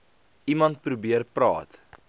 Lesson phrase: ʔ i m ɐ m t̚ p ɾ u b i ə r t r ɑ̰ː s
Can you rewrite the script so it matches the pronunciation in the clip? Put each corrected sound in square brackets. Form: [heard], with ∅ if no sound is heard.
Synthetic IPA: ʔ i m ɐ [n] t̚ p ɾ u b i ə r [p] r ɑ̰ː [t]